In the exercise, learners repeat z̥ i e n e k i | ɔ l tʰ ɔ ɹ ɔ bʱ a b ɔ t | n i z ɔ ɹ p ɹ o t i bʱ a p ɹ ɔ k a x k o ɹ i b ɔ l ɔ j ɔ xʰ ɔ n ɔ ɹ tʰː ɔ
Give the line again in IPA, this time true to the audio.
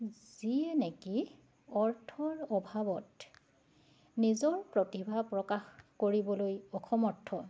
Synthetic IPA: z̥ i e n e k i | ɔ ɹ tʰ ɔ ɹ ɔ bʱ a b ɔ t | n i z ɔ ɹ p ɹ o t i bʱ a p ɹ ɔ k a x k o ɹ i b ɔ l o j ɔ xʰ ɔ m ɔ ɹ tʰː ɔ